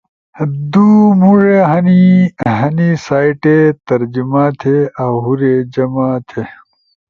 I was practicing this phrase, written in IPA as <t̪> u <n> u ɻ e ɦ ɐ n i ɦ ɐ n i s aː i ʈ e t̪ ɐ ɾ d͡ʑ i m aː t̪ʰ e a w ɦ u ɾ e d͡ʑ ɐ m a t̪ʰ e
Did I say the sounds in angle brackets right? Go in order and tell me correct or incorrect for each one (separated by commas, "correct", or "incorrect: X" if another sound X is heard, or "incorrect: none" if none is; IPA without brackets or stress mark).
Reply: incorrect: d̪, incorrect: m